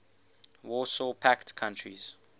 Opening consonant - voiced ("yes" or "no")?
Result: yes